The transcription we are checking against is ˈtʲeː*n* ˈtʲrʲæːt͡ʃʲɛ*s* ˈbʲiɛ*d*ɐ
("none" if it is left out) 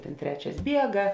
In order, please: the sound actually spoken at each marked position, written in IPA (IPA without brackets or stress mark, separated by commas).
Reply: n, s, ɡ